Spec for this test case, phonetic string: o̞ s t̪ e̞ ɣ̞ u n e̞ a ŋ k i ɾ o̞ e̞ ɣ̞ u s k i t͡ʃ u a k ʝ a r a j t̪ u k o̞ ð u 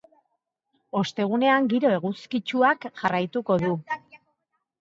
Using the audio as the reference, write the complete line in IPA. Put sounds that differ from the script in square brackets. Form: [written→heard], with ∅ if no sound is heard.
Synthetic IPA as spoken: o̞ s t̪ e̞ ɣ̞ u n e̞ a ŋ [k→ɡ] i ɾ o̞ e̞ ɣ̞ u s k i t͡ʃ u a k ʝ a r a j t̪ u k o̞ ð u